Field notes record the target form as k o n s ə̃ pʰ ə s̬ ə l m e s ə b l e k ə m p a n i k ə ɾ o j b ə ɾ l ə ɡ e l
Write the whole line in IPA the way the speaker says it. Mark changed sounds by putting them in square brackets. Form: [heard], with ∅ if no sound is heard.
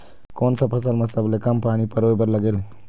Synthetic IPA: k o n s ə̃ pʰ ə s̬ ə l m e s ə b l e k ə m p a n i [p] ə ɾ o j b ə ɾ l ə ɡ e l